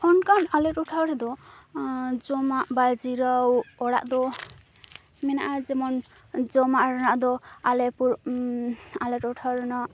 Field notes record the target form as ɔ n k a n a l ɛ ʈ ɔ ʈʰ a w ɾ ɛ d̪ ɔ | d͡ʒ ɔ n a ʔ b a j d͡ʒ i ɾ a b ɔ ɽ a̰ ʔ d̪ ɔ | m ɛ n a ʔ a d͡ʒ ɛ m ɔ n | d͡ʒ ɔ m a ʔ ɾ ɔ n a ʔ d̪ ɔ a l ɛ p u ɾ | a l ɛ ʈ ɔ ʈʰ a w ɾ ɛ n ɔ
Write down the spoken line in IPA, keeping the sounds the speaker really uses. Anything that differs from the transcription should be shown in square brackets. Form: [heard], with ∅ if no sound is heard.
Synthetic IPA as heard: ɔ n k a n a l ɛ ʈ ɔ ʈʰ a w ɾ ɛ d̪ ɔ | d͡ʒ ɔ [m] a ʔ b a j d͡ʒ i ɾ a [w] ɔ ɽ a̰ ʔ d̪ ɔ | m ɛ n a ʔ a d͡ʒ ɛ m ɔ n | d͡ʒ ɔ m a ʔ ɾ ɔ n a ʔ d̪ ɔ a l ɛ p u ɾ | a l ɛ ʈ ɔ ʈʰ a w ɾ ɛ n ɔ